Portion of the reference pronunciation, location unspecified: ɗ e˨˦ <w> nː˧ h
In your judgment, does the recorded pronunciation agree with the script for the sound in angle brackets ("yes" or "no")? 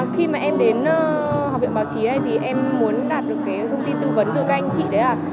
no